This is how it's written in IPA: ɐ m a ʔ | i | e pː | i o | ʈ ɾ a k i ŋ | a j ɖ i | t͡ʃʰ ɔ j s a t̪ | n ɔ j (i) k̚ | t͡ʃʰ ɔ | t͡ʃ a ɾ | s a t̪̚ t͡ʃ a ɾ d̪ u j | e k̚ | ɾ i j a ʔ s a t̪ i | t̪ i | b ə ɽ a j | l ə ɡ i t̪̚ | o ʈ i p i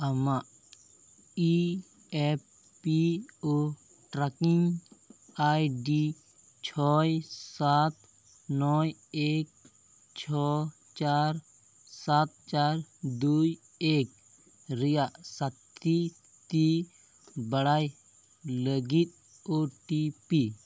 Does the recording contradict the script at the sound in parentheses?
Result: yes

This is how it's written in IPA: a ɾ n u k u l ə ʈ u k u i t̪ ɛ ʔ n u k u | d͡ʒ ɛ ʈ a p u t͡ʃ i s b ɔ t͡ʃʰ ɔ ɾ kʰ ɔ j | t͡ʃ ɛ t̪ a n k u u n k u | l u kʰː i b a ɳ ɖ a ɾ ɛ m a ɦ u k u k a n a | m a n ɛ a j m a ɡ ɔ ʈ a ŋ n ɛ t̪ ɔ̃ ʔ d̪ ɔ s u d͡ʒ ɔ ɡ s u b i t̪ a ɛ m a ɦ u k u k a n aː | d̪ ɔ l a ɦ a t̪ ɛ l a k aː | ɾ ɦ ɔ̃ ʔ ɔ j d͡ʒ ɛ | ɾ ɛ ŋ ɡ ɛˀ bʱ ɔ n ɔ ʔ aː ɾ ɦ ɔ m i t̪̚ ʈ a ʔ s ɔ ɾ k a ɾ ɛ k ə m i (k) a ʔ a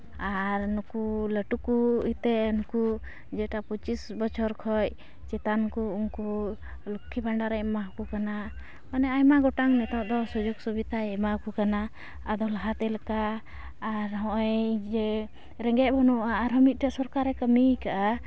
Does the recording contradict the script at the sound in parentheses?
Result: no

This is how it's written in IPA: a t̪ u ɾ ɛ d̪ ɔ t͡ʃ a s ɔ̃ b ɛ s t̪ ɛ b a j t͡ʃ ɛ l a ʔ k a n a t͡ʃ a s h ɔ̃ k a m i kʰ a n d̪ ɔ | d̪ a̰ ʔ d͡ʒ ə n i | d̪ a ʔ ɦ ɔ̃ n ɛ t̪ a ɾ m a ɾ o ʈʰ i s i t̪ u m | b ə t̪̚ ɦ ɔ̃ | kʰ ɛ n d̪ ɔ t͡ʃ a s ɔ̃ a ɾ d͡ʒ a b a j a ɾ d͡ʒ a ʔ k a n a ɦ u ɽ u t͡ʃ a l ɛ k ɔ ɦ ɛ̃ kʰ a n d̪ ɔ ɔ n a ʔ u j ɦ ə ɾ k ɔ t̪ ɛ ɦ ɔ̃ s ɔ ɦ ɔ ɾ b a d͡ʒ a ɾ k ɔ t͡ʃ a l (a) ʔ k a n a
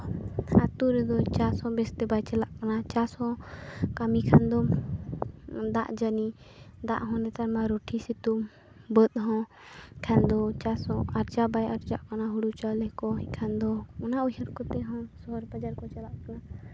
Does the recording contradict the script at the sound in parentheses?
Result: no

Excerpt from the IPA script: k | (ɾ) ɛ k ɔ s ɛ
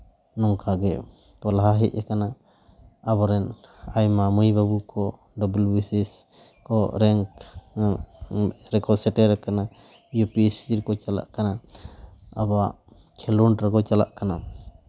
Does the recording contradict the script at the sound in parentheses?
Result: no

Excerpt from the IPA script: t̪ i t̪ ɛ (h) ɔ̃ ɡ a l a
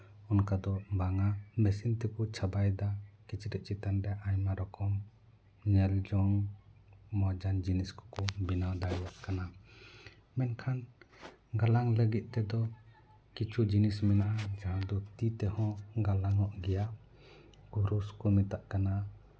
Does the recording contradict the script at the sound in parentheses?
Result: no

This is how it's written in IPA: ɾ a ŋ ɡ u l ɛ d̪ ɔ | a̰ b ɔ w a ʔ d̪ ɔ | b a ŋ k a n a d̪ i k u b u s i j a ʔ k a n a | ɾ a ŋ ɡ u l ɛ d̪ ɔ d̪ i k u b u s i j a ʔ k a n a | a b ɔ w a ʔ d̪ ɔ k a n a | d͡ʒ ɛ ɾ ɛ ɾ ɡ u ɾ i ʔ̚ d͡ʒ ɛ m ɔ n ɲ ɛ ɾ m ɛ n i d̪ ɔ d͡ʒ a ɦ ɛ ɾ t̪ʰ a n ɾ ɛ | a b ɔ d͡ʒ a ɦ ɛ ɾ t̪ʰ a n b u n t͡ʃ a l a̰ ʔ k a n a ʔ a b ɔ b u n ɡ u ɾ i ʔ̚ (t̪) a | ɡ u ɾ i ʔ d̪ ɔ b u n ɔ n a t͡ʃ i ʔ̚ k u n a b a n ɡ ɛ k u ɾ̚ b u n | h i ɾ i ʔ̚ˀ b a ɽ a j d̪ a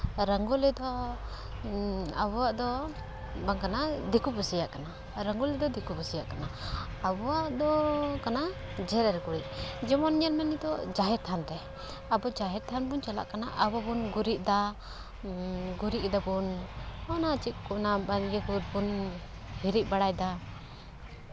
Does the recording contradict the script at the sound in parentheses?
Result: yes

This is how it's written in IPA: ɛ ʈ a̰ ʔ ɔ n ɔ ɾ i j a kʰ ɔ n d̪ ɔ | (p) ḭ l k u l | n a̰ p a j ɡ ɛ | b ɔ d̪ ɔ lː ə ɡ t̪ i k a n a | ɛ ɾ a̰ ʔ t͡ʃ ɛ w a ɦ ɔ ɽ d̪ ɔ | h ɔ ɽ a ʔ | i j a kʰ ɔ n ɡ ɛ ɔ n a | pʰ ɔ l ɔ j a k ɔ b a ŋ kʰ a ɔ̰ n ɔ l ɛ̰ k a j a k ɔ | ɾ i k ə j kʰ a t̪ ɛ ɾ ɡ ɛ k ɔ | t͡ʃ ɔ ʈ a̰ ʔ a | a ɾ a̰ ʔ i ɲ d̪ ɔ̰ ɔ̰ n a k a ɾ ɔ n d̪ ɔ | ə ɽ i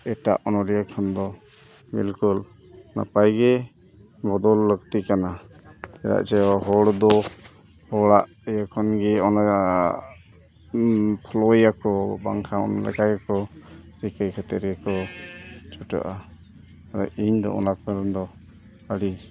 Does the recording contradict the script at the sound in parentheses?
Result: yes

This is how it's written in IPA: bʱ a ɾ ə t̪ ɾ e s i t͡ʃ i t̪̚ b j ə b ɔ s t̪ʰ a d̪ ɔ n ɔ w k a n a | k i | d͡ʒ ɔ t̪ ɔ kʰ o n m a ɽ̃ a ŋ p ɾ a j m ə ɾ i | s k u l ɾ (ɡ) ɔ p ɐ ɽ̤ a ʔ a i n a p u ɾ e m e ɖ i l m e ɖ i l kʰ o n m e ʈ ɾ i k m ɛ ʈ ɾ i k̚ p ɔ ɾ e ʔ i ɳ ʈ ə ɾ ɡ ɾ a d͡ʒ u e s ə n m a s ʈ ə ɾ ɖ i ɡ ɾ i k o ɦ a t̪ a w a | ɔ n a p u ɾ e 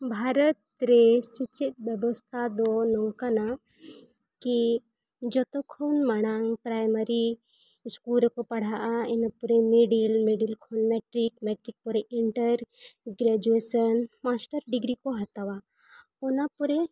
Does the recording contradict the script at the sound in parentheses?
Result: yes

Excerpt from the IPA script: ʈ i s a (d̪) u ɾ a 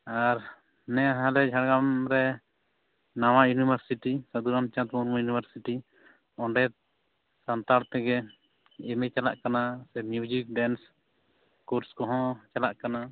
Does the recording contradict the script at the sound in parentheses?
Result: no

